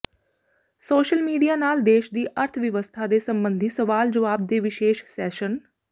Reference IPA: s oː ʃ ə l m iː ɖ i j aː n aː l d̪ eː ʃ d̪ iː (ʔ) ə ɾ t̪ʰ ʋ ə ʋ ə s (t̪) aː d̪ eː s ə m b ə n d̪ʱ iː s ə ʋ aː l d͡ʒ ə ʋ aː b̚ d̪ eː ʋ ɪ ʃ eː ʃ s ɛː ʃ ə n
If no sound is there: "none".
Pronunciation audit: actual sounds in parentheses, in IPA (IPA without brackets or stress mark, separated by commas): ʔ, t̪ʰ